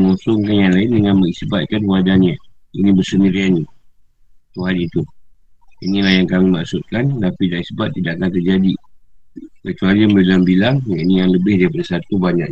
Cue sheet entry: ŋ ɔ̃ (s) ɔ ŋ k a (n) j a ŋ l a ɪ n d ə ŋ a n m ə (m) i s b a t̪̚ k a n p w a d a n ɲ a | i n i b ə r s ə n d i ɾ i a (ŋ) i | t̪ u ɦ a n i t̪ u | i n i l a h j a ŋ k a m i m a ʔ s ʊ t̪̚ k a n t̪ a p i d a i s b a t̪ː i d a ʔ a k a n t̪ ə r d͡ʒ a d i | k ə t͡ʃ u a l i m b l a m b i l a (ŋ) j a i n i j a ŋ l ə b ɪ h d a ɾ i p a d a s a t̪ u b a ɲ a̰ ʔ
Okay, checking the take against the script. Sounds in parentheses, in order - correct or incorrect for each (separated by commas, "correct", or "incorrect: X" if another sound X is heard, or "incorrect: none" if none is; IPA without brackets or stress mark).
correct, correct, incorrect: ŋ, incorrect: n, correct